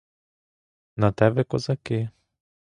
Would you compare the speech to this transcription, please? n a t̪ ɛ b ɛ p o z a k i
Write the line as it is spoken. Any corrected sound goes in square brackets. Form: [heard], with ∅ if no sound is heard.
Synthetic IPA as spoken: n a t̪ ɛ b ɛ [k] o z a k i